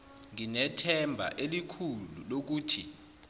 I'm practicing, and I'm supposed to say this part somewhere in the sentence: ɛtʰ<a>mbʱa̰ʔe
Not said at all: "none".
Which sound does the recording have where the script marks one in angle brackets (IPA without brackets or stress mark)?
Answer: ɛ